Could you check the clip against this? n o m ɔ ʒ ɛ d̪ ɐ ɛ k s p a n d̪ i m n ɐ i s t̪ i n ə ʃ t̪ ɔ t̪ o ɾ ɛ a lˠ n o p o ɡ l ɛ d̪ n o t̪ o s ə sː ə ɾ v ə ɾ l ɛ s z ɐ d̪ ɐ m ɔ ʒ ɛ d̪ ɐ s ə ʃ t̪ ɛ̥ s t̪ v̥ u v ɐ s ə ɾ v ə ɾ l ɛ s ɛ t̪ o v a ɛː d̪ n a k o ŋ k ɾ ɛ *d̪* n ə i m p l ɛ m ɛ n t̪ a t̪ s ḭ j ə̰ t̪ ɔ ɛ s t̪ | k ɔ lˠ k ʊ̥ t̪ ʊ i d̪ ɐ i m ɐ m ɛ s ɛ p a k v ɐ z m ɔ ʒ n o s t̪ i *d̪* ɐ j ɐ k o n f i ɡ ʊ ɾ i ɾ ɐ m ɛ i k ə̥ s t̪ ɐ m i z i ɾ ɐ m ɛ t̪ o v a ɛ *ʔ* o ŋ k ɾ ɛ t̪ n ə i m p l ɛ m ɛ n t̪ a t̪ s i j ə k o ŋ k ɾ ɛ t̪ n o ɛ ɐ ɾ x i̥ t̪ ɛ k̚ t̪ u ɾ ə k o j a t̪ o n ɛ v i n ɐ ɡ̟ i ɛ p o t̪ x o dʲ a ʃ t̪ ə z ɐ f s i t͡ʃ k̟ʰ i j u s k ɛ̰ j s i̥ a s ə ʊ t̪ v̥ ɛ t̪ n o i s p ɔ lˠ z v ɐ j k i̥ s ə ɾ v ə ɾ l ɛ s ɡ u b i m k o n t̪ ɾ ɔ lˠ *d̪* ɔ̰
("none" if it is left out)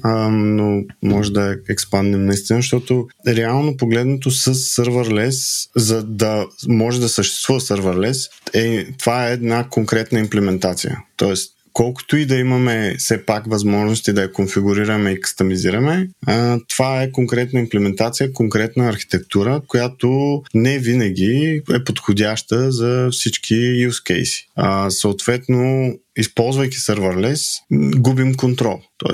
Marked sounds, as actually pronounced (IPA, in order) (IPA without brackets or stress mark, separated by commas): t̪, d̪, k, t̪